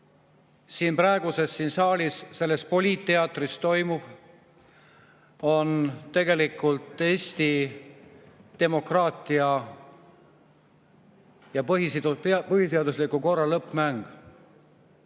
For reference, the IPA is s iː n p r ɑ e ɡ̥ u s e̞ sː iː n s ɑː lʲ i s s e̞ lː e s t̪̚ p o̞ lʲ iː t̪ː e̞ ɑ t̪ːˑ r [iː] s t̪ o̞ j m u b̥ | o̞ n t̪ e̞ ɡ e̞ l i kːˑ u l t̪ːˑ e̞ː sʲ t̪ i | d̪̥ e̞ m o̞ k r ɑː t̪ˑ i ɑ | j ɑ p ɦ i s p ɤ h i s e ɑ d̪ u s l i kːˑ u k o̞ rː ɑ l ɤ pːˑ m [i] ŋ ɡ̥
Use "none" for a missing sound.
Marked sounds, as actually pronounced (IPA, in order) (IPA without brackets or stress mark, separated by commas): i, æ